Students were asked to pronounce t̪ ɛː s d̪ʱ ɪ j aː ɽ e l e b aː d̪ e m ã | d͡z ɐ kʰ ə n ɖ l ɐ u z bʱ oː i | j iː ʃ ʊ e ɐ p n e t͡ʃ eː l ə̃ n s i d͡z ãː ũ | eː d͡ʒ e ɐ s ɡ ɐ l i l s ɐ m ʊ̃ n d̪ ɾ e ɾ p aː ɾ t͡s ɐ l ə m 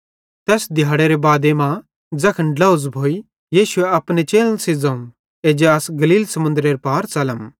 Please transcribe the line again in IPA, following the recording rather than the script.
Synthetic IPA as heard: t̪ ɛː s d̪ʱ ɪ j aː ɽ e ɾ e b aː d̪ e m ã | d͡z ɐ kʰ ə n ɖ l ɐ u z bʱ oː i | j iː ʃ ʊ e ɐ p n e t͡ʃ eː l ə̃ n s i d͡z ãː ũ | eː d͡ʒ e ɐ s ɡ ɐ l iː l s ɐ m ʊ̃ n d̪ ɾ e ɾ p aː ɾ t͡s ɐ l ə m